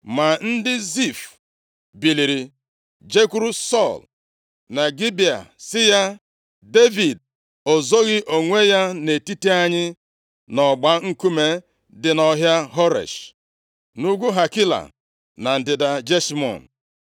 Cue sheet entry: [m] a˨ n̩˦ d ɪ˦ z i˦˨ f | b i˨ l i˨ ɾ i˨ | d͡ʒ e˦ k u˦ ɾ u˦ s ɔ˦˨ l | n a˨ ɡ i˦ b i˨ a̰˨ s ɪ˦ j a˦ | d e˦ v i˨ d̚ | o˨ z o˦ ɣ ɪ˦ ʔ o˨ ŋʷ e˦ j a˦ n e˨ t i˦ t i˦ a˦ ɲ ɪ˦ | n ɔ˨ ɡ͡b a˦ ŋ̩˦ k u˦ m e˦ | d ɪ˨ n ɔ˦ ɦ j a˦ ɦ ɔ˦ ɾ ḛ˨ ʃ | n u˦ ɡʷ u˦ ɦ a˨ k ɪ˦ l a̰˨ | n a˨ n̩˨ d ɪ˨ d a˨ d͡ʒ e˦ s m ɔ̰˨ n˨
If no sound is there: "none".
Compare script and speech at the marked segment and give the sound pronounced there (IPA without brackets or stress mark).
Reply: m